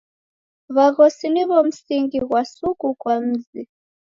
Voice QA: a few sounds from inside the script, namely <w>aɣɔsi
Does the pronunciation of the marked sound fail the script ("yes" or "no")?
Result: yes